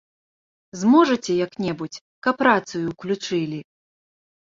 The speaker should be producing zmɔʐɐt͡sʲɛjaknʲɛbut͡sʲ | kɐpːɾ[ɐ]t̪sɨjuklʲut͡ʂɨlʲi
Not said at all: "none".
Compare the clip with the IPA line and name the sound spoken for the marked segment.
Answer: a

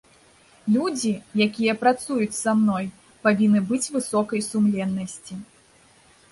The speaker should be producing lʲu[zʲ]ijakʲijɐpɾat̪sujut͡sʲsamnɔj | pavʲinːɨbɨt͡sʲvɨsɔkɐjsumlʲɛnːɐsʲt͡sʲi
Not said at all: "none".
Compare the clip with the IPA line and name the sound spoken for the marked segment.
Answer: d͡zʲ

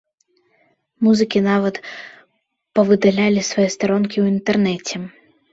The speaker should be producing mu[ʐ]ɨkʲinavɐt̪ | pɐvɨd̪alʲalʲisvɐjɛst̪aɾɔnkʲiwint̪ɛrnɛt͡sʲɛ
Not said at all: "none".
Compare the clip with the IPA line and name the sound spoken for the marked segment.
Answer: z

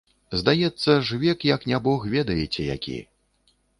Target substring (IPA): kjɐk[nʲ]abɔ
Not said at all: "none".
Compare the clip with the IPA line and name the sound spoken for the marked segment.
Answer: nʲ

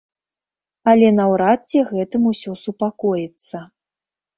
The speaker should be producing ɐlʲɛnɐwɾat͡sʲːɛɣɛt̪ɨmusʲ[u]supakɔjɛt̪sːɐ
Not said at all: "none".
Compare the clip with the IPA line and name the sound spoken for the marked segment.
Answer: ɔ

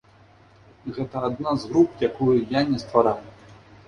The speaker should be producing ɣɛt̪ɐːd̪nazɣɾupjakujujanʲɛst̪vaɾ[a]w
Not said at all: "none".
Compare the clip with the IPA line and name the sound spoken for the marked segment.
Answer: a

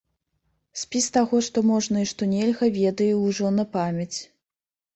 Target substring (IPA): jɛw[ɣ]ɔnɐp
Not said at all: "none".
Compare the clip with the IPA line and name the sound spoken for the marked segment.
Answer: ʐ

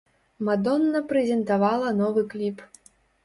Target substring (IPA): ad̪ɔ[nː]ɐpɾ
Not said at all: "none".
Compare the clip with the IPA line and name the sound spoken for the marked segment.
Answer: nː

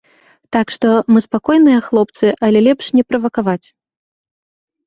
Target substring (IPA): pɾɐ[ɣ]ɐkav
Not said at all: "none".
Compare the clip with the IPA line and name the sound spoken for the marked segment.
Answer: v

